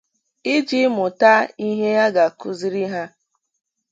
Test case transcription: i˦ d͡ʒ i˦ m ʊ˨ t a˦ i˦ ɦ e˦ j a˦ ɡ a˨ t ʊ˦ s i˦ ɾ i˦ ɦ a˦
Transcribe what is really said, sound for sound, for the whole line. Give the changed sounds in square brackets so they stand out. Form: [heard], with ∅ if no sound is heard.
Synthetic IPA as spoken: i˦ d͡ʒ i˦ m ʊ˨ t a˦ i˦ ɦ e˦ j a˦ ɡ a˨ [k] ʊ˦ [z] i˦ ɾ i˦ ɦ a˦